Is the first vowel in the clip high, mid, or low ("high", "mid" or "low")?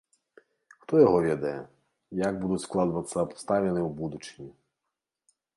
mid